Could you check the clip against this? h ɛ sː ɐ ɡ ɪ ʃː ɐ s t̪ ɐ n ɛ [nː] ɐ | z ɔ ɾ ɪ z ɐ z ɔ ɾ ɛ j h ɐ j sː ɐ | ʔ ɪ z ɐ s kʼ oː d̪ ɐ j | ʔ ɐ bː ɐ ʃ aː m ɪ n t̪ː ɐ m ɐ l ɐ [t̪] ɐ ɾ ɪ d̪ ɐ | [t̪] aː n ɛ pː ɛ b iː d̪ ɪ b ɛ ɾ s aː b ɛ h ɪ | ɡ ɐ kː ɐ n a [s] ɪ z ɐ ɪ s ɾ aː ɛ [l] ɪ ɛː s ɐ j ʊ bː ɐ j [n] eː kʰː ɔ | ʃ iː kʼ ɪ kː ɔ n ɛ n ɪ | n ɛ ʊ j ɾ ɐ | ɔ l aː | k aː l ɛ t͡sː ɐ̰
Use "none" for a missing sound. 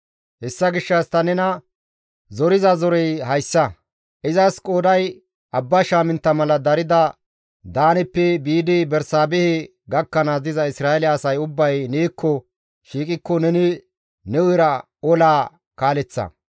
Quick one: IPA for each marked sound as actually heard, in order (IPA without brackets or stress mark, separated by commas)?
n, d̪, d̪, z, l, n